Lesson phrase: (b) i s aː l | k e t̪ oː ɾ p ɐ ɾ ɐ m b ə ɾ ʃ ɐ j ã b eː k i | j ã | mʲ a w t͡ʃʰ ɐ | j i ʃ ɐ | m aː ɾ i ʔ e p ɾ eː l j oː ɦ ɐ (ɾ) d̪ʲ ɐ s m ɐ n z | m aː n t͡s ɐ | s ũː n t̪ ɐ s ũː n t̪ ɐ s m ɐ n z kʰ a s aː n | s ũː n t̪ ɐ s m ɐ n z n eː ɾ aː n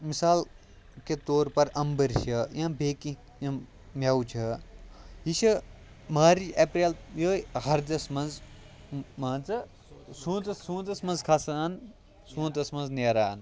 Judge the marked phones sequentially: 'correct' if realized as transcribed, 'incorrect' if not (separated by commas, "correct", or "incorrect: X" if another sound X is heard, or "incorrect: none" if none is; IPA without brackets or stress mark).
incorrect: m, correct